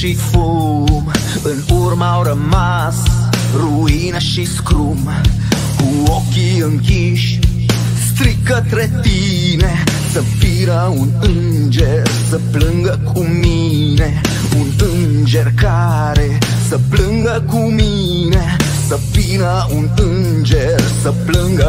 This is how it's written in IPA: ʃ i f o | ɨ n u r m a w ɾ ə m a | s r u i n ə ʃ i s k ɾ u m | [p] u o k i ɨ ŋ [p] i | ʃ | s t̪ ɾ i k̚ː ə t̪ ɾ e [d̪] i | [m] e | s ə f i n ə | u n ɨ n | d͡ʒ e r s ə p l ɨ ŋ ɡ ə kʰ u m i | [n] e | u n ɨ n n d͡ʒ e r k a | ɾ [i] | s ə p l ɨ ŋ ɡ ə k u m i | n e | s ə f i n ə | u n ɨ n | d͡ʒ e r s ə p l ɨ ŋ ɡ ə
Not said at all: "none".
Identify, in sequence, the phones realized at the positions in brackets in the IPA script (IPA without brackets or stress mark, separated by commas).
k, k, t̪, n, n, e